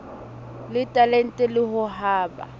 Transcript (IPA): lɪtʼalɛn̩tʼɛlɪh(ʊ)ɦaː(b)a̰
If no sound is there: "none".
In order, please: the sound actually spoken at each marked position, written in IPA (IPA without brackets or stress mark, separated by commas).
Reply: ʊ, b